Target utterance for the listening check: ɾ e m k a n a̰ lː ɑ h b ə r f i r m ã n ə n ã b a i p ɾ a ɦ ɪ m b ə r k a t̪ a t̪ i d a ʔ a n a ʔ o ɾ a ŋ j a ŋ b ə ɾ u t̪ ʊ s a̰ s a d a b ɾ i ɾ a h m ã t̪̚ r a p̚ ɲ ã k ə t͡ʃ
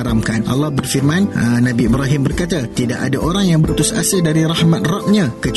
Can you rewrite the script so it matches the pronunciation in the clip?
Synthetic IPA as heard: ɾ a m k a n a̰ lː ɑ h b ə r f i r m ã n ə n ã b i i b ɾ a ɦ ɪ m b ə r k a t̪ a t̪ i d a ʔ a d a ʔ o ɾ a ŋ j a ŋ b ə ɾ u t̪ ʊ s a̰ s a d a ɾ i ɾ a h m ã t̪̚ r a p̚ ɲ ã k ə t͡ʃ